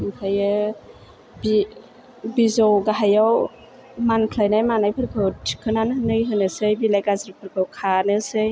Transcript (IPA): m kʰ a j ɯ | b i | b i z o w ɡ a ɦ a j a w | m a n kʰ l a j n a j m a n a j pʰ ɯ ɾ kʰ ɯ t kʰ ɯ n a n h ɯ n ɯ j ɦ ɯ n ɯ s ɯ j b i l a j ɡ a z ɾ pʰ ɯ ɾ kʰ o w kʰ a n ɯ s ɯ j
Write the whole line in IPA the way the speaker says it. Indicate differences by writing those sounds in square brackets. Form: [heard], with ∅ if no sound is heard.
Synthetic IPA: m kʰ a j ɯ | b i | b i z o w ɡ a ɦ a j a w | m a n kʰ l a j n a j m a n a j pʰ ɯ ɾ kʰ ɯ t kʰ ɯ n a n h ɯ n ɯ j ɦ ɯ n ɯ s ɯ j b i l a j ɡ a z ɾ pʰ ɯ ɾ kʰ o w kʰ a n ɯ s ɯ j